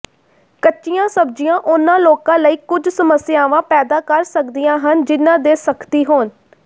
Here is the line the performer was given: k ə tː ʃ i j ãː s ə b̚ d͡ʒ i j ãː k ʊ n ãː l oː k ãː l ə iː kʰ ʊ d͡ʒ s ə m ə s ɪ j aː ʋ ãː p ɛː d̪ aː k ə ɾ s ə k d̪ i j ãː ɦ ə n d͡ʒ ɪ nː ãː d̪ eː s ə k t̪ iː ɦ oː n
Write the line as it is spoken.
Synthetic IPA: k ə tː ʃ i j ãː s ə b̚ d͡ʒ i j ãː ʔ ʊ n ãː l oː k ãː l ə iː k ʊ d͡ʒ s ə m ə s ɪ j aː ʋ ãː p ɛː d̪ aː k ə ɾ s ə k d̪ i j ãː ɦ ə n d͡ʒ ɪ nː ãː d̪ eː s ə k t̪ iː ɦ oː n